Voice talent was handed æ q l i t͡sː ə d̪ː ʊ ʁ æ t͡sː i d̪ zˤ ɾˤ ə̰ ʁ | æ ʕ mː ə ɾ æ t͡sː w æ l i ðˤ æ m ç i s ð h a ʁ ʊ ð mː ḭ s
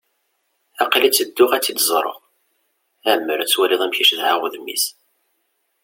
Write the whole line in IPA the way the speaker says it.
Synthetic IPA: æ q l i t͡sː ə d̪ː ʊ ʁ æ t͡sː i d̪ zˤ ɾˤ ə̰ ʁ | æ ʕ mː ə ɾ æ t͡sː w æ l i ðˤ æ m ç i ʃ ð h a ʁ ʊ ð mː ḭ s